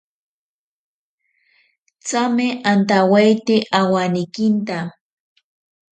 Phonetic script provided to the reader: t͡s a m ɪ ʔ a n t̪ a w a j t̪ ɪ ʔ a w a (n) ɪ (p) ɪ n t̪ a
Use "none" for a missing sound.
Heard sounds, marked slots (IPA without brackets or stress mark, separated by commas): n, k